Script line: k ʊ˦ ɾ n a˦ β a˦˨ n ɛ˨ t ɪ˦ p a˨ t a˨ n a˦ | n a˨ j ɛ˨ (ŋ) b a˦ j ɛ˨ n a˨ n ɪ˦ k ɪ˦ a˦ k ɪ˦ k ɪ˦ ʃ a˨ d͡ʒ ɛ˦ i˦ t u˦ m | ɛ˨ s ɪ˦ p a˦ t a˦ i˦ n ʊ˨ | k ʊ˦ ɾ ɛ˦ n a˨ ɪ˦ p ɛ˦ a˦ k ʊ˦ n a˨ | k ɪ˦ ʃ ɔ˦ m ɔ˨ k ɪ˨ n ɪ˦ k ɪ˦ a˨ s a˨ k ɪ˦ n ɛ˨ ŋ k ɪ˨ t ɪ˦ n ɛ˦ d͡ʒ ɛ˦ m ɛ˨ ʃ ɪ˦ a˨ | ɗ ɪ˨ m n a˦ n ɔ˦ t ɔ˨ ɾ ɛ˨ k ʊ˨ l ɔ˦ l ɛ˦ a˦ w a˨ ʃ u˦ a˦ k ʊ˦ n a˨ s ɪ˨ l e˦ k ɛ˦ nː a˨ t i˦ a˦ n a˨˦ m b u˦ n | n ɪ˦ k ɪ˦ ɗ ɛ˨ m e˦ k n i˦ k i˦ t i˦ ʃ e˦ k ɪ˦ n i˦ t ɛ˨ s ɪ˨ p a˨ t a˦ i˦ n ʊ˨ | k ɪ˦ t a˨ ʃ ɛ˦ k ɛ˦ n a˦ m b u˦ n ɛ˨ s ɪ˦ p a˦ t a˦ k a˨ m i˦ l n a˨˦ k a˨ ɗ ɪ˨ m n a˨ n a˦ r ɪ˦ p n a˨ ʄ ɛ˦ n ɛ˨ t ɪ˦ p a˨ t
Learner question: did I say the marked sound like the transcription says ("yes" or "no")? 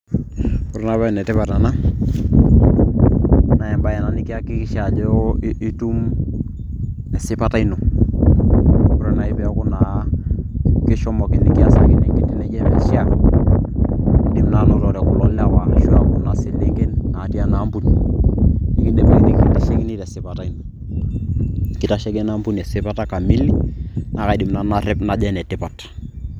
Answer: no